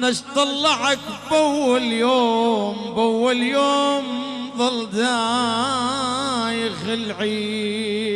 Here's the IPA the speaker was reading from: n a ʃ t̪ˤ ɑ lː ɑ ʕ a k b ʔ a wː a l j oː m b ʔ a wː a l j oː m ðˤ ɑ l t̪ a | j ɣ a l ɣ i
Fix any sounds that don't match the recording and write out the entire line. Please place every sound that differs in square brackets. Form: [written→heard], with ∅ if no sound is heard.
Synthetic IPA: n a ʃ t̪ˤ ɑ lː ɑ ʕ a k b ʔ a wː a l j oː m b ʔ a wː a l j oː m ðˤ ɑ l [t̪→d̪] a | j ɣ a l [ɣ→ʕ] i